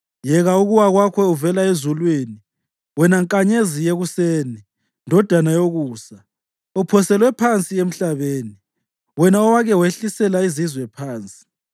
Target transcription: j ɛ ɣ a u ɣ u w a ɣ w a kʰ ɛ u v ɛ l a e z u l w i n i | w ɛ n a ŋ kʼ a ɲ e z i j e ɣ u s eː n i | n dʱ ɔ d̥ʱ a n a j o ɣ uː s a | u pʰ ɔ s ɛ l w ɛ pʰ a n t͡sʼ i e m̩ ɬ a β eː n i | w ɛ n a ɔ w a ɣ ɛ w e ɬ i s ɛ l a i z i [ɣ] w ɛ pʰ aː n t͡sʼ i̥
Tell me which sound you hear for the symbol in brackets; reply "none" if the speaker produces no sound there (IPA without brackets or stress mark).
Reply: z